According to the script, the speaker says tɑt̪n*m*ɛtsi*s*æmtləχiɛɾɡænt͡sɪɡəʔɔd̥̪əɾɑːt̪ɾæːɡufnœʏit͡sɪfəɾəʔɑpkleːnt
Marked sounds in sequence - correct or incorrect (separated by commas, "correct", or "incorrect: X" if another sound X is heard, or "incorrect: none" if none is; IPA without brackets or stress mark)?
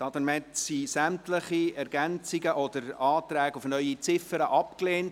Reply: correct, correct